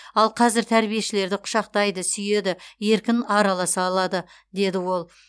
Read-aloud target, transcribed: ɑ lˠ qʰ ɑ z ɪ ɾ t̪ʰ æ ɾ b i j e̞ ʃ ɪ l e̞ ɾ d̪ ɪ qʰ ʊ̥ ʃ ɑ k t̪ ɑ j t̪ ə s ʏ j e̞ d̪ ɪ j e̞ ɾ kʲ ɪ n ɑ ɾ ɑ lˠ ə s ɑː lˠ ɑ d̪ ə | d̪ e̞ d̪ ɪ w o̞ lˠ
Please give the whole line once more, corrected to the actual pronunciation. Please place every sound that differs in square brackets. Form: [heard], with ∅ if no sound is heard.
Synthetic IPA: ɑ lˠ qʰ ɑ z ɪ ɾ t̪ʰ æ ɾ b i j e̞ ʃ ɪ l e̞ ɾ d̪ ɪ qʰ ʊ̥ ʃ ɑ [q] t̪ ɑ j [d̪] ə s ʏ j e̞ d̪ ɪ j e̞ ɾ kʲ ɪ n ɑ ɾ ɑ lˠ [ɑ] s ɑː lˠ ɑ d̪ ə | d̪ e̞ d̪ ɪ w o̞ lˠ

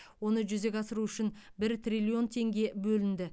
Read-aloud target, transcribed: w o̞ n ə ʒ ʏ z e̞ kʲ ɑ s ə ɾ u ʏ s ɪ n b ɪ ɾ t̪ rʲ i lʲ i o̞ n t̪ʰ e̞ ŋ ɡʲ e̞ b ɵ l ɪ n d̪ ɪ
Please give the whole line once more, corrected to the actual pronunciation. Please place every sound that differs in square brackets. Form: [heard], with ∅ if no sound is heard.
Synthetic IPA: w o̞ n ə ʒ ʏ z e̞ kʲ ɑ s ə ɾ u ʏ [ʃ] ɪ n b ɪ ɾ t̪ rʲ i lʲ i o̞ n t̪ʰ e̞ ŋ ɡʲ e̞ b ɵ l ɪ n d̪ ɪ

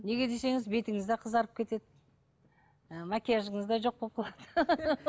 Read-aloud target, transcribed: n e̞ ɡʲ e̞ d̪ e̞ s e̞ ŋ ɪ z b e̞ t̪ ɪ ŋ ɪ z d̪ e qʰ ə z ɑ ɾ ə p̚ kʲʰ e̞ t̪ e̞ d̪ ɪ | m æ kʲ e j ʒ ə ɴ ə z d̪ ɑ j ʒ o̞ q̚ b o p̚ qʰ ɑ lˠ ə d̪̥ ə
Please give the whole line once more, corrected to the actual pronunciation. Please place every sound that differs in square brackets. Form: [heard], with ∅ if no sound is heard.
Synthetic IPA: n e̞ ɡʲ e̞ d̪ e̞ s e̞ ŋ ɪ z b e̞ t̪ ɪ ŋ ɪ z d̪ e qʰ ə z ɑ ɾ ə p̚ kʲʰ e̞ t̪ e̞ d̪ ɪ | m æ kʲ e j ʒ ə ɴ ə z d̪ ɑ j ʒ o̞ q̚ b o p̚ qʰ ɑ lˠ [ɑ] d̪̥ ə

